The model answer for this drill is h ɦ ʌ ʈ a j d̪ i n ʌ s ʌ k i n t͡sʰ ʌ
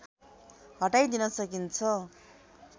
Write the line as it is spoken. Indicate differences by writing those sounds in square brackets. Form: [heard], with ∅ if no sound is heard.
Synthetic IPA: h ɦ ʌ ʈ a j d̪ i n ʌ s ʌ k i n t͡sʰ ʌ